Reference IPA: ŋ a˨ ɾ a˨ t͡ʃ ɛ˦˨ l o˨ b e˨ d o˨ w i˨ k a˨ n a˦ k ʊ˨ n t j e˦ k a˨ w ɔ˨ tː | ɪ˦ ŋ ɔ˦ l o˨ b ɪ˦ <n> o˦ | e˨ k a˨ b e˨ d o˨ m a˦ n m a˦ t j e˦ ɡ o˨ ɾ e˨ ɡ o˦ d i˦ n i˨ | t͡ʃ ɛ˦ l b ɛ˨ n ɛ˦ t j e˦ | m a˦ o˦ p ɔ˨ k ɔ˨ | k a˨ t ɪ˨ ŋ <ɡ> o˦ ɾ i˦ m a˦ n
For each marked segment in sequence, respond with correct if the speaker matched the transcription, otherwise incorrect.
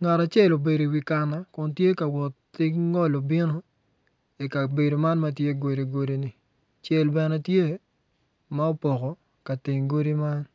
correct, correct

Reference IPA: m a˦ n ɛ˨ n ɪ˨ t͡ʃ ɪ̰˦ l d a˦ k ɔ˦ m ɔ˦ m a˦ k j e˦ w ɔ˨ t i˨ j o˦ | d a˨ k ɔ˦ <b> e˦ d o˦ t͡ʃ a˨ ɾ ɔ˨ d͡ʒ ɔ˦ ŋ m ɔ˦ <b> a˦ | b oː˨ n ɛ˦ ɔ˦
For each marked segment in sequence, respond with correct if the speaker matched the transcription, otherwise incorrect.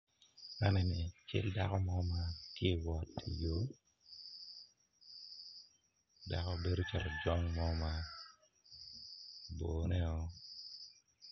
correct, incorrect

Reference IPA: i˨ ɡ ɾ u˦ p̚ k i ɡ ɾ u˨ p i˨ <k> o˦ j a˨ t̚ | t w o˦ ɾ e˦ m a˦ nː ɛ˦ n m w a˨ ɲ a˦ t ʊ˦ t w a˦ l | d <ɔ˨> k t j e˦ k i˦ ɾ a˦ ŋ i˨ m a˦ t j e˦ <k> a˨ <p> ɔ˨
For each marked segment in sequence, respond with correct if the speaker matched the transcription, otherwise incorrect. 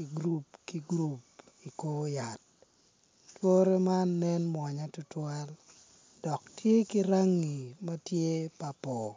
correct, correct, incorrect, correct

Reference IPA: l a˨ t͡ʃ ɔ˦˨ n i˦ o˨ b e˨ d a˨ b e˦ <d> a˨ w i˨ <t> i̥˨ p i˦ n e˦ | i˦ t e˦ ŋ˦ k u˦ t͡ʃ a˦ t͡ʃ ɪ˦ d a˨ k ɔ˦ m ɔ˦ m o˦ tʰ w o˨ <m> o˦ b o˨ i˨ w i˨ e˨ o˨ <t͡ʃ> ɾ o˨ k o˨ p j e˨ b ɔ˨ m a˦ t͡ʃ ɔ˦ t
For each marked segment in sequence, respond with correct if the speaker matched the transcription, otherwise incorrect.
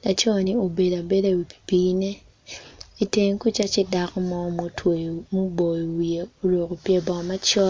correct, incorrect, correct, incorrect

